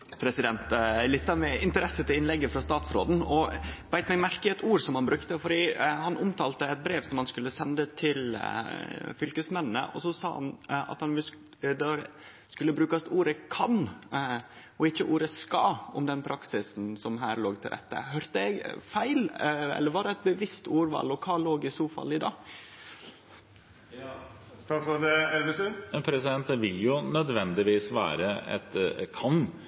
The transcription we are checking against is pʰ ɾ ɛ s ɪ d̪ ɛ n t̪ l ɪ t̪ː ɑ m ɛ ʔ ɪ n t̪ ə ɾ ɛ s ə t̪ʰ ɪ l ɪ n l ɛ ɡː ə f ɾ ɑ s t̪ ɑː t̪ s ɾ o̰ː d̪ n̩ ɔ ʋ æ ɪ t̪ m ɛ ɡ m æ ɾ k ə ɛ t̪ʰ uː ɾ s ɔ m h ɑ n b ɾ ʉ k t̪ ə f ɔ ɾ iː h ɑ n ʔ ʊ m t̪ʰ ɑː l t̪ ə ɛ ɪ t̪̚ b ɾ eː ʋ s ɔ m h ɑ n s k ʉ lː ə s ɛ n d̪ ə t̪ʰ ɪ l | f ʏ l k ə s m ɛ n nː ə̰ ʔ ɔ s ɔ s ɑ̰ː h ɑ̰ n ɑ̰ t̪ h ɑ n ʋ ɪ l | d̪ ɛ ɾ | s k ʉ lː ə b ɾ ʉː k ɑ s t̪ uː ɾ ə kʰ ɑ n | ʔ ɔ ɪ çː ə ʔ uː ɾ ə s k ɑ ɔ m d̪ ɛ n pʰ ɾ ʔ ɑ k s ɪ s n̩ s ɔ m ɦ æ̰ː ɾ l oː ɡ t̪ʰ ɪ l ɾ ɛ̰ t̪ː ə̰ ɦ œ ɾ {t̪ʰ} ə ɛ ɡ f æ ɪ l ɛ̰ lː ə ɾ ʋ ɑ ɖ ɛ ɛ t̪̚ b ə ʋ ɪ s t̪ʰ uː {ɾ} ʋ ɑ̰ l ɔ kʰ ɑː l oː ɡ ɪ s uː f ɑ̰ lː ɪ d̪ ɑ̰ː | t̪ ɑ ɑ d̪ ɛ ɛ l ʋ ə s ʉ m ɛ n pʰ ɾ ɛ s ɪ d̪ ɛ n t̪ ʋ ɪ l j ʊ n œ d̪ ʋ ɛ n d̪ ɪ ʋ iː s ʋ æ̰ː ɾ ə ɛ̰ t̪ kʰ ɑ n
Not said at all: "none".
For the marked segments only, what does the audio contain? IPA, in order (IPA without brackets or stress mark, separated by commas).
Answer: t̪, ɾ